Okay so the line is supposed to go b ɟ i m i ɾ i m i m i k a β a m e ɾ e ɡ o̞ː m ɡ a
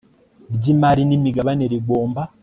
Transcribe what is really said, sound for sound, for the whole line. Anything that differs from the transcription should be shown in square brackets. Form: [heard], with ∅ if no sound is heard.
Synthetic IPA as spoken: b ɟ i m [a] ɾ i [n] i m i [ɡ] a β a [n] e ɾ [i] ɡ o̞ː m [b] a